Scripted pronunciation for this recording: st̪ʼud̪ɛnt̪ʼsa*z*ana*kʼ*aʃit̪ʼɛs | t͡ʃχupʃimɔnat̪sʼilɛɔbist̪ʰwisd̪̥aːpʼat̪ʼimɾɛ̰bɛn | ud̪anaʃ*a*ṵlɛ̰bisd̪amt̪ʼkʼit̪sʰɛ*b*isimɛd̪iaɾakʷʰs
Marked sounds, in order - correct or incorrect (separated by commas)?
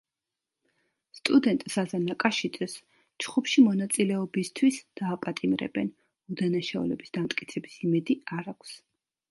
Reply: correct, correct, correct, correct